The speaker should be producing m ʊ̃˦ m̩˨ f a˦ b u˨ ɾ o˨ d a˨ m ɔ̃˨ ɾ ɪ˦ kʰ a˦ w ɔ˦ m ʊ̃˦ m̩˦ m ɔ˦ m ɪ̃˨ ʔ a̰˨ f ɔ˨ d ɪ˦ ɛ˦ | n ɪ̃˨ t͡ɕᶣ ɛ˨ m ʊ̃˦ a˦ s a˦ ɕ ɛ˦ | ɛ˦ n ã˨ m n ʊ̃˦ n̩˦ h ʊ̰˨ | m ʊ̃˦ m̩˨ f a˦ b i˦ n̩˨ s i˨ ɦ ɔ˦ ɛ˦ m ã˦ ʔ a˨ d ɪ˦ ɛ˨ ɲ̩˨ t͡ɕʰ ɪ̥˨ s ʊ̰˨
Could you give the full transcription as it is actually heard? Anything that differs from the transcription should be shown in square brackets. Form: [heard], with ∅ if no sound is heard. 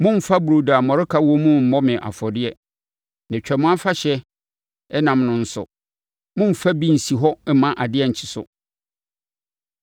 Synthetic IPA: m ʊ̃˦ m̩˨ f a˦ b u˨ ɾ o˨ d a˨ m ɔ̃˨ ɾ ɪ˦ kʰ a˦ w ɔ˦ m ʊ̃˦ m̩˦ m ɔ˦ m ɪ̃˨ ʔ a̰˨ f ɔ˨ d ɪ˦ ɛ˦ | n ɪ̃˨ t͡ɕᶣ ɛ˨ m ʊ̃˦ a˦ [f] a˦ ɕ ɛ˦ | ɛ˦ n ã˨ m n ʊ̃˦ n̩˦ [s] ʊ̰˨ | m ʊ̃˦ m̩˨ f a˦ b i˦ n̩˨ s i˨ ɦ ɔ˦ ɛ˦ m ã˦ ʔ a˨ d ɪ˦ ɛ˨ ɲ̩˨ t͡ɕʰ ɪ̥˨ s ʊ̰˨